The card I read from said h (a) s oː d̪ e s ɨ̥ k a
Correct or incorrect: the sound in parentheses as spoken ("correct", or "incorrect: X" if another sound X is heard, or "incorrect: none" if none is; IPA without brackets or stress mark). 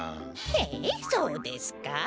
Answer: incorrect: e